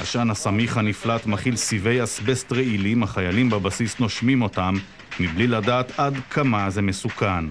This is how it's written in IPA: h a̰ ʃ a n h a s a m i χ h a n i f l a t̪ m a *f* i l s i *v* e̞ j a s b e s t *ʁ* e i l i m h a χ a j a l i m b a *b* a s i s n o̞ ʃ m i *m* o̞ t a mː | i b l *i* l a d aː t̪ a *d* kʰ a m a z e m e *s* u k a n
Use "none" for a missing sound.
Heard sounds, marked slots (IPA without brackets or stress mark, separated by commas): χ, v, ʁ, b, m, i, d, s